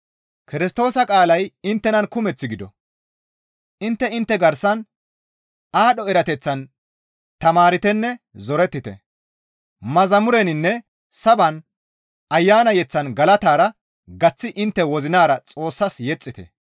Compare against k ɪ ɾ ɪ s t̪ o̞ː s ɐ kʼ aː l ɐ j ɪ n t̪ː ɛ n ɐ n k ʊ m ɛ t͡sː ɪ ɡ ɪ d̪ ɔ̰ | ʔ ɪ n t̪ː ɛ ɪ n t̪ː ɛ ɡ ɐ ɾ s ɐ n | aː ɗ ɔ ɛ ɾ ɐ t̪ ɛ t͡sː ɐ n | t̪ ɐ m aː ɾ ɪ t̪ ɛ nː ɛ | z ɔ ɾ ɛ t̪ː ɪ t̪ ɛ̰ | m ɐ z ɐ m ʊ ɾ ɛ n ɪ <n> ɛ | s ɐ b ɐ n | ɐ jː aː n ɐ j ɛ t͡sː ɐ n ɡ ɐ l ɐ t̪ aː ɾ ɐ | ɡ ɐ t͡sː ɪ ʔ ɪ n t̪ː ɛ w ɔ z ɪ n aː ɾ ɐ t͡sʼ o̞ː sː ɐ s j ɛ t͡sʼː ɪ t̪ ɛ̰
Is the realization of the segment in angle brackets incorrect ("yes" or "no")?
yes